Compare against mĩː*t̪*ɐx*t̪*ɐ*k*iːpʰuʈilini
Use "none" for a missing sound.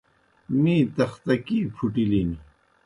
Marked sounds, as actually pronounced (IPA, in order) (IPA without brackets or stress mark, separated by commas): t̪, t̪, k